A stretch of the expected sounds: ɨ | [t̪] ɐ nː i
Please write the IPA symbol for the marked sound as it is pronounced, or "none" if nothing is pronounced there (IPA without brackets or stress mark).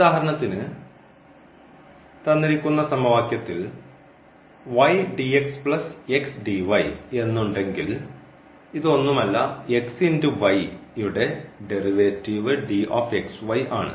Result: t̪